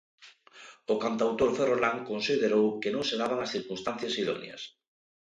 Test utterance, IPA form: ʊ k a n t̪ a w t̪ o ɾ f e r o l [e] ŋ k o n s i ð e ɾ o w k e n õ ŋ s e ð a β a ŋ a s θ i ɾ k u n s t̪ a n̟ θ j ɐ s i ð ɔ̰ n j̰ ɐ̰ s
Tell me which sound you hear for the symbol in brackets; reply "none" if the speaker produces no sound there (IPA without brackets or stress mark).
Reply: a